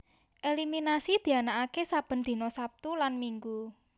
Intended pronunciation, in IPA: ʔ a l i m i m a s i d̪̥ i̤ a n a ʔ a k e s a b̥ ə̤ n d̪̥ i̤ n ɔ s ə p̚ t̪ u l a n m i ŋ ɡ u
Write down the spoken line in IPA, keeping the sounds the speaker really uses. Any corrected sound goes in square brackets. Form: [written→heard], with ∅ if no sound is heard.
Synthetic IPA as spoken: ʔ [a→e] l i m i [m→n] a s i d̪̥ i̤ a n a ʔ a k e s a b̥ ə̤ n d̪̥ i̤ n ɔ s [ə→a] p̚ t̪ u l a n m i ŋ ɡ u